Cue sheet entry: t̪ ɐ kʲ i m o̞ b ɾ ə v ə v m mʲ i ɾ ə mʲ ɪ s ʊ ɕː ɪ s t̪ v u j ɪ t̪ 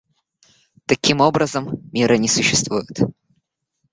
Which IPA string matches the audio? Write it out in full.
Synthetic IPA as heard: t̪ ɐ kʲ i m o̞ b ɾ ə z ə m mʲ i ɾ ə nʲ ɪ s ʊ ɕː ɪ s t̪ v u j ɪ t̪